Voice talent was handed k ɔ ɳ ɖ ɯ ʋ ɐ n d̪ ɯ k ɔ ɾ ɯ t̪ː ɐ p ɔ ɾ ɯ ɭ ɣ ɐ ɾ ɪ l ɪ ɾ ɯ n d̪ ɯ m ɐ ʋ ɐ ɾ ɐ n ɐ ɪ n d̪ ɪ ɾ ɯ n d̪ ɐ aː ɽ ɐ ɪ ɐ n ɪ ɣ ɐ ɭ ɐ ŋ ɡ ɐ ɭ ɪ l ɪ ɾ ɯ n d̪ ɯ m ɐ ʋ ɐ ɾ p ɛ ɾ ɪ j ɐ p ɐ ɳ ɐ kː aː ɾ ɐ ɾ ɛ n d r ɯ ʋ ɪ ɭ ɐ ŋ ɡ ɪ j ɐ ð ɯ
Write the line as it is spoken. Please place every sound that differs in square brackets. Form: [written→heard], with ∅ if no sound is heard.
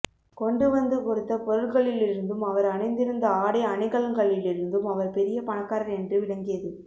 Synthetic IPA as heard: k ɔ ɳ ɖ ɯ ʋ ɐ n d̪ ɯ k ɔ ɾ ɯ t̪ː ɐ p ɔ ɾ ɯ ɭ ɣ ɐ [ɾ→ɭ] ɪ l ɪ ɾ ɯ n d̪ ɯ m ɐ ʋ ɐ ɾ ɐ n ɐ ɪ n d̪ ɪ ɾ ɯ n d̪ ɐ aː ɽ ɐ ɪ ɐ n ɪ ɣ ɐ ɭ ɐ ŋ ɡ ɐ ɭ ɪ l ɪ ɾ ɯ n d̪ ɯ m ɐ ʋ ɐ ɾ p ɛ ɾ ɪ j ɐ p ɐ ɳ ɐ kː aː ɾ ɐ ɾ ɛ n d r ɯ ʋ ɪ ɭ ɐ ŋ ɡ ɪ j ɐ ð ɯ

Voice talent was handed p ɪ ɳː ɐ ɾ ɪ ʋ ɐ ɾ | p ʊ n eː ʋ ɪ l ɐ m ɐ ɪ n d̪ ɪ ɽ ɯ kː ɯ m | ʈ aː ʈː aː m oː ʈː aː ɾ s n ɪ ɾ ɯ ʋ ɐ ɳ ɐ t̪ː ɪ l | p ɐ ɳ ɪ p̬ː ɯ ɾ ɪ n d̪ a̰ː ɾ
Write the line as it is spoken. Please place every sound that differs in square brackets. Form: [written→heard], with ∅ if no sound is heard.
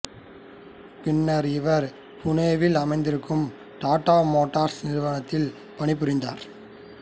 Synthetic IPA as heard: p ɪ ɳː ɐ ɾ ɪ ʋ ɐ ɾ | p ʊ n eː ʋ ɪ l ɐ m ɐ ɪ n d̪ ɪ [ɽ→ɾ] ɯ kː ɯ m | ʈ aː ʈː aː m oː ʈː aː ɾ s n ɪ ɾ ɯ ʋ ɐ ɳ ɐ t̪ː ɪ l | p ɐ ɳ ɪ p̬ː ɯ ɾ ɪ n d̪ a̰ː ɾ

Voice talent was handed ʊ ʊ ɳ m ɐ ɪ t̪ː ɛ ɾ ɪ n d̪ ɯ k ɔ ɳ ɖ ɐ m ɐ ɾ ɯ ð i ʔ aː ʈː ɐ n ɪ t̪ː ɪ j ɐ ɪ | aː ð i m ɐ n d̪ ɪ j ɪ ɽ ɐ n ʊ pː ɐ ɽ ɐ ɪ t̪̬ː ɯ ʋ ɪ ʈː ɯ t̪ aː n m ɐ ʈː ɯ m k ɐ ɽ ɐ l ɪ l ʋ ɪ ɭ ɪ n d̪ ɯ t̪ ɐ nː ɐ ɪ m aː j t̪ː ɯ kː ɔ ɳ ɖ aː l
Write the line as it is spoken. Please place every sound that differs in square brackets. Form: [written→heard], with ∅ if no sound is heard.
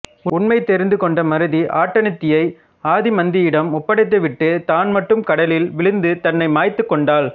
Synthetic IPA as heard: ʊ ʊ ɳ m ɐ ɪ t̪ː ɛ ɾ ɪ n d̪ ɯ k ɔ ɳ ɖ ɐ m ɐ ɾ ɯ ð i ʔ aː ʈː ɐ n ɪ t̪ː ɪ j ɐ ɪ | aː ð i m ɐ n d̪ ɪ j ɪ ɽ ɐ [n→m] ʊ pː ɐ ɽ ɐ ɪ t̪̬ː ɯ ʋ ɪ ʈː ɯ t̪ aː n m ɐ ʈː ɯ m k ɐ ɽ ɐ l ɪ l ʋ ɪ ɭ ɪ n d̪ ɯ t̪ ɐ nː ɐ ɪ m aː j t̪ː ɯ kː ɔ ɳ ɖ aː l

